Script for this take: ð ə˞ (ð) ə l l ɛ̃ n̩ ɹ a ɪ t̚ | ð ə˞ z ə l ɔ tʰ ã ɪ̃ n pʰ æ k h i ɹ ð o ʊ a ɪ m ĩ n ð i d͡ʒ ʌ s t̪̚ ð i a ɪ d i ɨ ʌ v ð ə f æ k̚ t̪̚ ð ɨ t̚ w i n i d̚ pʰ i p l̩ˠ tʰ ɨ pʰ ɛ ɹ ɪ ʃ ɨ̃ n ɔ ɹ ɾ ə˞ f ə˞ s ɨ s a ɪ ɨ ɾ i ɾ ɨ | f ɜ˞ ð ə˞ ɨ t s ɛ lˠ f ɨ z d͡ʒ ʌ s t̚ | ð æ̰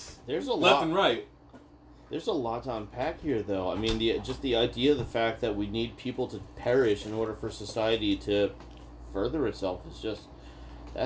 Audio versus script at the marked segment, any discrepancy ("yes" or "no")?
yes